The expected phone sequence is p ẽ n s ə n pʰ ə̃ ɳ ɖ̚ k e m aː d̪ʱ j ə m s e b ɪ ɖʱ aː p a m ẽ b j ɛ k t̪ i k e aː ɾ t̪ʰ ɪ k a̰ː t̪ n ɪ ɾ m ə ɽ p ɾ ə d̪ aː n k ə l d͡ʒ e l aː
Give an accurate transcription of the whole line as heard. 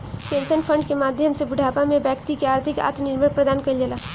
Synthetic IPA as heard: p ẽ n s ə n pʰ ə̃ ɳ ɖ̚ k e m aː d̪ʱ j ə m s e b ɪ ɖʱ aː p a m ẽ b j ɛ k t̪ i k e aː ɾ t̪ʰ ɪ k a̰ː t̪ n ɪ ɾ m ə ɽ p ɾ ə d̪ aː n k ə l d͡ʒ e l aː